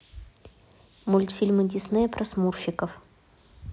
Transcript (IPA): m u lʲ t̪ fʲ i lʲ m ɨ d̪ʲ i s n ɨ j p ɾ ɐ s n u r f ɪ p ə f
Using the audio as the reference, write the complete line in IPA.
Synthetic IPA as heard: m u lʲ t̪ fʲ i lʲ m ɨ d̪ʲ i s n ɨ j p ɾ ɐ s m u r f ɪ k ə f